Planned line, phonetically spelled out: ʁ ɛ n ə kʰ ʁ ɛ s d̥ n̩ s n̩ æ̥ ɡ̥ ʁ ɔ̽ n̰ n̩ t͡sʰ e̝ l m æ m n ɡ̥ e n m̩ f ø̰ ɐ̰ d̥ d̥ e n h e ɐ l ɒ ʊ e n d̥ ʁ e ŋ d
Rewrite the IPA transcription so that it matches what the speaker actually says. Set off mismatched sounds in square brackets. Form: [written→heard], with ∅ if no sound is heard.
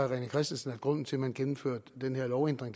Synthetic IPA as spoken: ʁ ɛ n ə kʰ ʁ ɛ s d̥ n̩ s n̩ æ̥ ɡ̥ ʁ ɔ̽ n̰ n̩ t͡sʰ e̝ l m æ [m→∅] n ɡ̥ e n m̩ f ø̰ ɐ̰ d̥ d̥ e n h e ɐ l ɒ ʊ e n d̥ ʁ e ŋ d